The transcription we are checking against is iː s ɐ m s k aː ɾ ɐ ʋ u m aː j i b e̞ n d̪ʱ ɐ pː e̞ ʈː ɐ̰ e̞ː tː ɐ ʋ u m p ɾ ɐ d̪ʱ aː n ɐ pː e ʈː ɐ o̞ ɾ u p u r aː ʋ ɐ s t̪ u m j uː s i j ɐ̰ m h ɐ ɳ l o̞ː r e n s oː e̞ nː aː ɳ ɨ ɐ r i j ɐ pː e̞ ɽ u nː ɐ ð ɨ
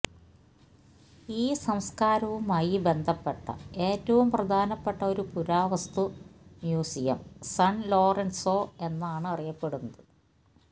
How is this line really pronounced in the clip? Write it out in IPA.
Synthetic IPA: iː s ɐ m s k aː ɾ ɐ ʋ u m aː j i b e̞ n d̪ʱ ɐ pː e̞ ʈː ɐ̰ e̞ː tː ɐ ʋ u m p r ɐ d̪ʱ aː n ɐ pː e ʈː ɐ o̞ ɾ u p u ɾ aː ʋ ɐ s t̪ u m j uː s i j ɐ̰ m s ɐ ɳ l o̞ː r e n s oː e̞ nː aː ɳ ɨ ɐ r i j ɐ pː e̞ ɽ u nː ɐ ð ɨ